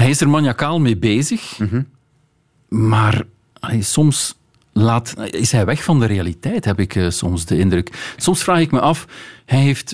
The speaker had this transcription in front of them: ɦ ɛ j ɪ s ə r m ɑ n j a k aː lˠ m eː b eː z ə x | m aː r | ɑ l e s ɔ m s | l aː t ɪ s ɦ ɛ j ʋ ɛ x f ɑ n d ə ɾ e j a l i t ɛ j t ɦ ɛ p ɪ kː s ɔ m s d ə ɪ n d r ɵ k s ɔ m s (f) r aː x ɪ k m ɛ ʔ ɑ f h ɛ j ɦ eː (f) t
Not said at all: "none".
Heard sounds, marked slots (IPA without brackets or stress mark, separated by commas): f, f